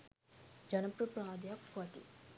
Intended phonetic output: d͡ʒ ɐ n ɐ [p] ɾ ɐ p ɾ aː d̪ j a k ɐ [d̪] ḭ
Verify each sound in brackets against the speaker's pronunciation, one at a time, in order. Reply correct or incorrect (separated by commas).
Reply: correct, incorrect